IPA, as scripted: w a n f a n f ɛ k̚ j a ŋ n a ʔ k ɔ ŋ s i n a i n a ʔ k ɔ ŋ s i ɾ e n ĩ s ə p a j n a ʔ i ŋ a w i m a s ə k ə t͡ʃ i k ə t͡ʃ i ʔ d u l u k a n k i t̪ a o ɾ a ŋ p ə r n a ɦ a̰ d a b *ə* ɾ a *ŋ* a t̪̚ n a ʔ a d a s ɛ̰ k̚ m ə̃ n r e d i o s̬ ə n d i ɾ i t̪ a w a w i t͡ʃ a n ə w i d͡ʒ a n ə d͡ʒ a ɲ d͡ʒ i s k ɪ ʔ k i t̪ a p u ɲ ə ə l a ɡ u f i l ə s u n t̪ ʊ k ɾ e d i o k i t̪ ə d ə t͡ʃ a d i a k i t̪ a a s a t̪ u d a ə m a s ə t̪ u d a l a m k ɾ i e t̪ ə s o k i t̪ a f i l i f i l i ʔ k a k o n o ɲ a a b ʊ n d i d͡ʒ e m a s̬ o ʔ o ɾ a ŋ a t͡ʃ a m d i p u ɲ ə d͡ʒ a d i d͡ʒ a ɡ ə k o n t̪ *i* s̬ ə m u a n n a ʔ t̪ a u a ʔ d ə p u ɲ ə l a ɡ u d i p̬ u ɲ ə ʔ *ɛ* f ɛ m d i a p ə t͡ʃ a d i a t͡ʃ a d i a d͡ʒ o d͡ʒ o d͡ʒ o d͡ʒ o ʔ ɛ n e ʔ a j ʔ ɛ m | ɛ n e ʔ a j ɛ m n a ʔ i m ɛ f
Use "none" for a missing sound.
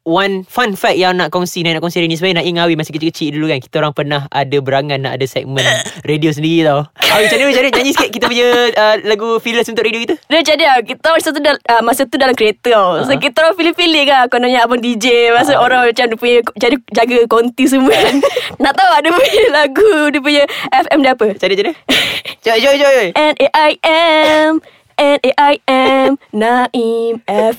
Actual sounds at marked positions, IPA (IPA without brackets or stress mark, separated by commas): ə, ŋ, i, ɛ